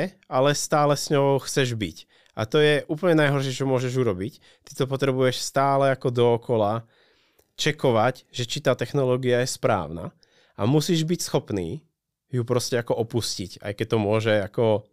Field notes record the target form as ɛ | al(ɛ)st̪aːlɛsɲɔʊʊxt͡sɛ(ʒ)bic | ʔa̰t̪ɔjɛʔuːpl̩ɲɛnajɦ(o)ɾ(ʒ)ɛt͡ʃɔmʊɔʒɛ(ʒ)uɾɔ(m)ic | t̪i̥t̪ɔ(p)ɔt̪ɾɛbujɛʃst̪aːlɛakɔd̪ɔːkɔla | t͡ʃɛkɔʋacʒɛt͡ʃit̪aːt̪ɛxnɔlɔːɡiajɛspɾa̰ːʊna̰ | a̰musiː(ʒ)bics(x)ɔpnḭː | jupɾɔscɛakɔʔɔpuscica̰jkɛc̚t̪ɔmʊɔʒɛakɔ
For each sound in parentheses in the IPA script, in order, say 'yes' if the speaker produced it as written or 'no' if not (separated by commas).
yes, yes, no, no, yes, no, yes, yes, yes